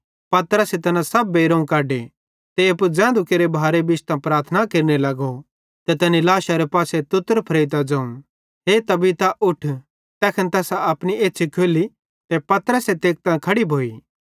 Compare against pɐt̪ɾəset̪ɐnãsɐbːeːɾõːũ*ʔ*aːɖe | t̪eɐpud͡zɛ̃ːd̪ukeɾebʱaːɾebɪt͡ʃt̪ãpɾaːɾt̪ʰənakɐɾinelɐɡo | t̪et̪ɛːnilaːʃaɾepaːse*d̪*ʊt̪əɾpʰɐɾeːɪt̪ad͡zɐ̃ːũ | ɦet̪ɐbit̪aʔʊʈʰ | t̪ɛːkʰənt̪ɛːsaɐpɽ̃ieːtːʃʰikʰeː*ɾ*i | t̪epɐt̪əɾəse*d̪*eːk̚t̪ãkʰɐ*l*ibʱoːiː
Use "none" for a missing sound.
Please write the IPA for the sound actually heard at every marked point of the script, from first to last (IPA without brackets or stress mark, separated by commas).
k, t̪, l, t̪, ɽ